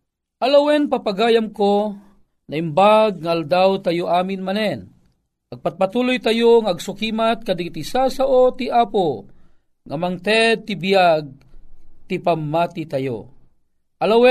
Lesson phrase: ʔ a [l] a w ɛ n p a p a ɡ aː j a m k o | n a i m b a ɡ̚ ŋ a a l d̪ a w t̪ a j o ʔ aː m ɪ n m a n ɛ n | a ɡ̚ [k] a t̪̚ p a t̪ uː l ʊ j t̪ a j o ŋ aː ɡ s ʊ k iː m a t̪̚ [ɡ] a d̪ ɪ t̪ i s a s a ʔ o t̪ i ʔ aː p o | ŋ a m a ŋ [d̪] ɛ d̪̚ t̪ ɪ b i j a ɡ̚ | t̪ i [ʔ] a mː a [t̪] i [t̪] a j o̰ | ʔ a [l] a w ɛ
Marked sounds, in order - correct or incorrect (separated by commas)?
correct, incorrect, incorrect, incorrect, incorrect, correct, correct, correct